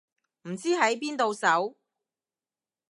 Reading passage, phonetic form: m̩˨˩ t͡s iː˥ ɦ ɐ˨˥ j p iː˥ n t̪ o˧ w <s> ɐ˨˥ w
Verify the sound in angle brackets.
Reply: correct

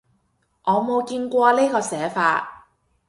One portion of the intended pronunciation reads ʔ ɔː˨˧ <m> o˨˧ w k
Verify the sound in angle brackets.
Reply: correct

